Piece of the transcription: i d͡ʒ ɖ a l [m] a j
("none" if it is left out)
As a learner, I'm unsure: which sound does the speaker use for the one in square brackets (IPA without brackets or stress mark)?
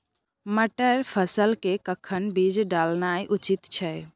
n